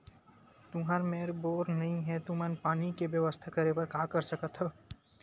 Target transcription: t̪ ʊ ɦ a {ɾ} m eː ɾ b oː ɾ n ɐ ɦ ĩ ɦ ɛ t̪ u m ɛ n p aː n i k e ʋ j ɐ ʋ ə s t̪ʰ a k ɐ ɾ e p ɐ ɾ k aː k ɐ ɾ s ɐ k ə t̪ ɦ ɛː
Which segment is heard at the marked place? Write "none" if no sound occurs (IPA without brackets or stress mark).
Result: ɾ